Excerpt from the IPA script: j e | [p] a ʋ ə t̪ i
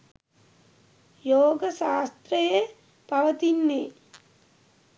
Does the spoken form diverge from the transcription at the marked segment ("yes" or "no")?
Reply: no